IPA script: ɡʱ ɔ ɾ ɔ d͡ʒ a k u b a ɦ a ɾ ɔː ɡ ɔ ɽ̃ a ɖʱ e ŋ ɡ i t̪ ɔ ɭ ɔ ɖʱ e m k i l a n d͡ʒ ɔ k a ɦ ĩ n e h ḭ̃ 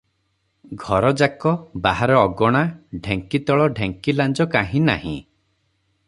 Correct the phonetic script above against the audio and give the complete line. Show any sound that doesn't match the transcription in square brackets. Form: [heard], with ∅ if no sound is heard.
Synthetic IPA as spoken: ɡʱ ɔ ɾ ɔ d͡ʒ a k [ɔ] b a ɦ a ɾ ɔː ɡ ɔ ɽ̃ a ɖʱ e ŋ [k] i t̪ ɔ ɭ ɔ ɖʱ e [ŋ] k i l a n d͡ʒ ɔ k a ɦ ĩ n [a] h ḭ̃